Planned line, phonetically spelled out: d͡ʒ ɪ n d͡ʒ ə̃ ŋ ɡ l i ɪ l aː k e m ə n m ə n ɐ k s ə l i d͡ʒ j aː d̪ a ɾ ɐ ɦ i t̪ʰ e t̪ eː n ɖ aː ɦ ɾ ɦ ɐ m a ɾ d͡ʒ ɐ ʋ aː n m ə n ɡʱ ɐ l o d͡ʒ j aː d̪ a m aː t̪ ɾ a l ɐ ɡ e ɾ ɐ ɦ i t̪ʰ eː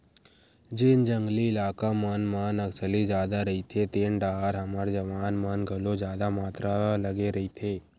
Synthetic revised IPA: d͡ʒ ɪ n d͡ʒ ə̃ ŋ ɡ l i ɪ l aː k a m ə n m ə n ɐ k s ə l i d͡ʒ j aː d̪ a ɾ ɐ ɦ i t̪ʰ e t̪ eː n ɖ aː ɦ ɾ ɦ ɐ m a ɾ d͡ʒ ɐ ʋ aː n m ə n ɡʱ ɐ l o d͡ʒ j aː d̪ a m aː t̪ ɾ a l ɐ ɡ e ɾ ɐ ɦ i t̪ʰ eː